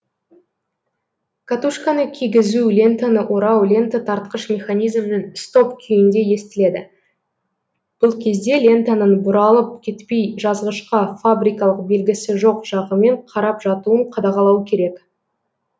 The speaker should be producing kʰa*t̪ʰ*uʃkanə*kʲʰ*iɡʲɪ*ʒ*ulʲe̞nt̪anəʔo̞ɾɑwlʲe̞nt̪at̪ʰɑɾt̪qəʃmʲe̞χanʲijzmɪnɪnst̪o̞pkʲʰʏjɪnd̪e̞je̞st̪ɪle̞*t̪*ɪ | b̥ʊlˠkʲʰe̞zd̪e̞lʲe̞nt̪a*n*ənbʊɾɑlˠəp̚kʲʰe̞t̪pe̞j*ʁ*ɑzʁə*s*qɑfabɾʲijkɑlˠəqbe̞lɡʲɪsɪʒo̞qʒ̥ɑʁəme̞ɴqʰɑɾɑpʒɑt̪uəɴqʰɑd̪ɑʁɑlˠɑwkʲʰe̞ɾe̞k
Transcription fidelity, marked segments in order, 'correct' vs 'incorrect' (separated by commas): incorrect, correct, incorrect, incorrect, correct, incorrect, incorrect